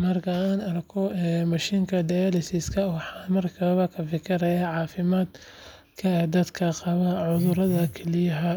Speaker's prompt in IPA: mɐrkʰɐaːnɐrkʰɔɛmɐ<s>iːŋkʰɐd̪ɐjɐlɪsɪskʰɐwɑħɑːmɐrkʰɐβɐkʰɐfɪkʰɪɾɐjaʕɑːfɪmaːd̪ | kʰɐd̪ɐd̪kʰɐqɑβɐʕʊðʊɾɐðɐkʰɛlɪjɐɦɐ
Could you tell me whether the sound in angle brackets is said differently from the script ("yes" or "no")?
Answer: yes